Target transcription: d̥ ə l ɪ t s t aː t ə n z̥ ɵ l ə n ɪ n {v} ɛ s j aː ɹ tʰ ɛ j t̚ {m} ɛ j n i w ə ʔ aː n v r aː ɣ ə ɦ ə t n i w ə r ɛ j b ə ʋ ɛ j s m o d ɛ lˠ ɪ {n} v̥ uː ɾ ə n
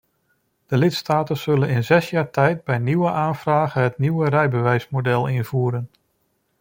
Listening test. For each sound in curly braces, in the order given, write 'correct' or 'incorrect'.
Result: incorrect: z, incorrect: b, correct

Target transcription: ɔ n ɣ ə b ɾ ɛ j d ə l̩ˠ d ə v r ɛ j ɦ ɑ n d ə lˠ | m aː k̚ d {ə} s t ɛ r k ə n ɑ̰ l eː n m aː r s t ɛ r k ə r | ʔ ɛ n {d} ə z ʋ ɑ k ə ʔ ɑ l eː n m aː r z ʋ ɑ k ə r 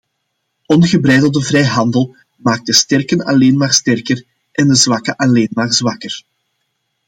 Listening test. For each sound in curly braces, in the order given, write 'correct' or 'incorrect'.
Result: correct, correct

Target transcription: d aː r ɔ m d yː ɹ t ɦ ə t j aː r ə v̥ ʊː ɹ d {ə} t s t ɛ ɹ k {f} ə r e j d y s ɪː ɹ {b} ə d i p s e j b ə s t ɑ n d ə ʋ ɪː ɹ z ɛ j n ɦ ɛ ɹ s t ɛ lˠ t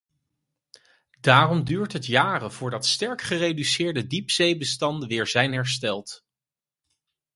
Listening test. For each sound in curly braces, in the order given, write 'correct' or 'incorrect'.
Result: incorrect: ɑ, incorrect: χ, incorrect: d

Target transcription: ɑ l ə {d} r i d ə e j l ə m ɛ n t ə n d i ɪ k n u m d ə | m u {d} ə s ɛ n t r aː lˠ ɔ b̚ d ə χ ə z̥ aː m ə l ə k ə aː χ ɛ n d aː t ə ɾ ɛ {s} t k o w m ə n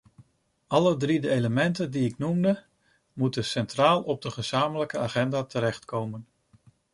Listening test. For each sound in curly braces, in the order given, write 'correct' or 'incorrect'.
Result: correct, incorrect: t, incorrect: χ

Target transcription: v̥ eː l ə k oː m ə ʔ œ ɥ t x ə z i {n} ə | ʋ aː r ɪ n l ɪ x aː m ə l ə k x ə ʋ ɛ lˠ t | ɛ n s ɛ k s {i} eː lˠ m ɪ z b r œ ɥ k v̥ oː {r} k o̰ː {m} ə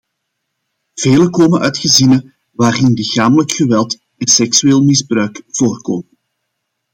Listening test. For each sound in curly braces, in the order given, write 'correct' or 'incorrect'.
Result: correct, incorrect: y, correct, correct

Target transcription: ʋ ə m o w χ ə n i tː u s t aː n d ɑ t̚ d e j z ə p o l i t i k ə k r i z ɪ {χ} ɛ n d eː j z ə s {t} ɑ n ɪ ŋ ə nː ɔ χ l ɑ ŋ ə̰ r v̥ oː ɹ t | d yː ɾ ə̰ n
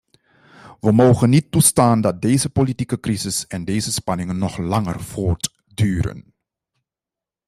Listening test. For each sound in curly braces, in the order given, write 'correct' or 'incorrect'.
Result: incorrect: s, incorrect: p

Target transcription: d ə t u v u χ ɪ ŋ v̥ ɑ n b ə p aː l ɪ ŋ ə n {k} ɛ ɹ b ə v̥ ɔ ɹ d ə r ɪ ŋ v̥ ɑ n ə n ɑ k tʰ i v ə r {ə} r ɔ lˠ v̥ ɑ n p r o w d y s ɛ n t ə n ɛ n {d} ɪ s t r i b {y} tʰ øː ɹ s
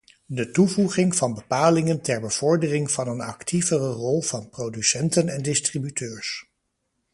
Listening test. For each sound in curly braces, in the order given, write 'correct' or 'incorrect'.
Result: incorrect: t, correct, correct, correct

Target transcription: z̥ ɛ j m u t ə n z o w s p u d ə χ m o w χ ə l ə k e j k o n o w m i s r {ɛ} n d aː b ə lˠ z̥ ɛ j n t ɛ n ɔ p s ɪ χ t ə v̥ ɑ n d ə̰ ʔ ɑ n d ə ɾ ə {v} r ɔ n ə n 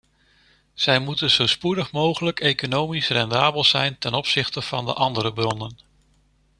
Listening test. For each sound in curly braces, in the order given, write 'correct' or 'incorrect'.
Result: correct, incorrect: b

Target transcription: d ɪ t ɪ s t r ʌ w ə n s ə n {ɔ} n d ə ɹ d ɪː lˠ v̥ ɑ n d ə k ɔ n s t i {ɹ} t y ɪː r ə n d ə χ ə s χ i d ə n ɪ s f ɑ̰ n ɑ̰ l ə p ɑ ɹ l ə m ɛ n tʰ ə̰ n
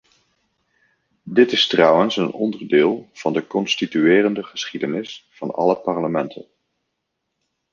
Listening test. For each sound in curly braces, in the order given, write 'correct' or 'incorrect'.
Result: correct, incorrect: none

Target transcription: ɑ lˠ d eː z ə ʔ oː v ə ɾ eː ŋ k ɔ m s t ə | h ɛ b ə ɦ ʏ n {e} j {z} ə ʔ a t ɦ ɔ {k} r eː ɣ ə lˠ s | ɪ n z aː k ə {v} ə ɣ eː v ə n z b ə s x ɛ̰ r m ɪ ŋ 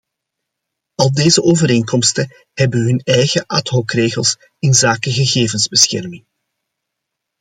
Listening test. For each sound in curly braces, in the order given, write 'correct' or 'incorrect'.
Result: incorrect: ɛ, incorrect: ɣ, correct, incorrect: ɣ

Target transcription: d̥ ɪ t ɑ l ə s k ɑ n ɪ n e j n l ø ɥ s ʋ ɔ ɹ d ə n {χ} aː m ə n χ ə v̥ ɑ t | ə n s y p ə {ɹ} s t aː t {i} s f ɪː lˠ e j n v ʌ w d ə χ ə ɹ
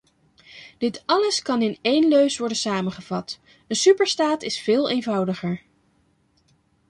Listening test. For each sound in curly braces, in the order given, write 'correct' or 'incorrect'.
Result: incorrect: s, correct, incorrect: ɪ

